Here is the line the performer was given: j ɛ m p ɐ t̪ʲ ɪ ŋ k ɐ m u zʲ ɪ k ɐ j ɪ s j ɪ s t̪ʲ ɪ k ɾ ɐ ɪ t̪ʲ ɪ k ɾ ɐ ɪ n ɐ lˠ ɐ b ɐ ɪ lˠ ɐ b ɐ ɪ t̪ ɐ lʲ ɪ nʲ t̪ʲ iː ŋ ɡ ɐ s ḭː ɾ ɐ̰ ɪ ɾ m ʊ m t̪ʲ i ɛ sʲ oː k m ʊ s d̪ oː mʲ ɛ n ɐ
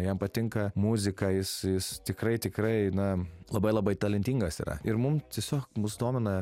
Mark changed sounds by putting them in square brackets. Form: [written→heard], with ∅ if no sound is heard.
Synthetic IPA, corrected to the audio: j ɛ m p ɐ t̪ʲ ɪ ŋ k ɐ m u zʲ ɪ k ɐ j ɪ s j ɪ s t̪ʲ ɪ k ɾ ɐ ɪ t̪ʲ ɪ k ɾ ɐ ɪ n ɐ lˠ ɐ b ɐ ɪ lˠ ɐ b ɐ ɪ t̪ ɐ lʲ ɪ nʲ t̪ʲ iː ŋ ɡ ɐ s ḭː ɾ ɐ̰ ɪ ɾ m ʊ m t̪ʲ i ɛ sʲ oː k m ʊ s d̪ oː mʲ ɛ n ɐ